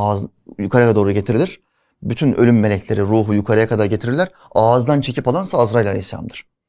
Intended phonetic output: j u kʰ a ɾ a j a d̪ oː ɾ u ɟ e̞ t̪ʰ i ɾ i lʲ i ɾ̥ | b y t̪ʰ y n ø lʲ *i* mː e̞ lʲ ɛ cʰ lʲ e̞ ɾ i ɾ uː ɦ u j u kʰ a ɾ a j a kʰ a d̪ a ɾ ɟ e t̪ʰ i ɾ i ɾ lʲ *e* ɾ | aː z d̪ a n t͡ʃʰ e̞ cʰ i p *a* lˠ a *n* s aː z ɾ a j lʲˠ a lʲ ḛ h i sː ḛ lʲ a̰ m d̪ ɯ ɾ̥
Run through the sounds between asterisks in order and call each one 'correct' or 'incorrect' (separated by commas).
incorrect, incorrect, correct, correct